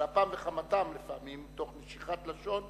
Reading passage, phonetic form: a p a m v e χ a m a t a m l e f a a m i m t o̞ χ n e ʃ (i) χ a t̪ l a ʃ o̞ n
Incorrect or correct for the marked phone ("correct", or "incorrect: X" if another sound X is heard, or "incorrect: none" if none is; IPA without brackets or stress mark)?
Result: correct